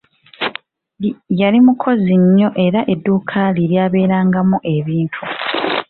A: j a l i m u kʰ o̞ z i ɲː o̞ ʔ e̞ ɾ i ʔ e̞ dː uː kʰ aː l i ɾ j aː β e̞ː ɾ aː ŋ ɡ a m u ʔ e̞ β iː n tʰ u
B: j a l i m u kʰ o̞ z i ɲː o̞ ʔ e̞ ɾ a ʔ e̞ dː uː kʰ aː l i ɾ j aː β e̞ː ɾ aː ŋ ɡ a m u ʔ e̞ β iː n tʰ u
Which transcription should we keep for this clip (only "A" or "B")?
B